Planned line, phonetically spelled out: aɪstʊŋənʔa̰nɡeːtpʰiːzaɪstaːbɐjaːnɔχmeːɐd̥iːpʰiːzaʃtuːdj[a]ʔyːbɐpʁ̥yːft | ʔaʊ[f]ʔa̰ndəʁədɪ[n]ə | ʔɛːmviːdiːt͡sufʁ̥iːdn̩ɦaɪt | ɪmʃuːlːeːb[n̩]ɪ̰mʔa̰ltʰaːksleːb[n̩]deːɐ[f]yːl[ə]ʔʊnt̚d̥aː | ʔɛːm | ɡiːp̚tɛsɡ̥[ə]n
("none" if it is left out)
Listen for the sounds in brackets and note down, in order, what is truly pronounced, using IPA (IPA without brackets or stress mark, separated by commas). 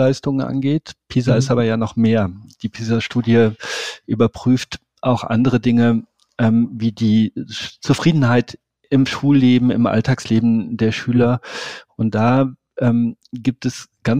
ə, x, ŋ, m̩, m̩, ʃ, ɐ, a